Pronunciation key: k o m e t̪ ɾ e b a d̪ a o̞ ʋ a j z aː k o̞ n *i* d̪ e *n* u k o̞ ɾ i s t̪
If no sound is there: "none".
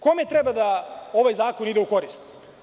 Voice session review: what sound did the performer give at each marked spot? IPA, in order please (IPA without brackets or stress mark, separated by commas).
i, none